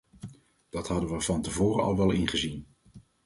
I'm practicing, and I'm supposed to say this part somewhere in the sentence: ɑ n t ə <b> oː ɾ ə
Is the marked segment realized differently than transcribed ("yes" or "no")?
yes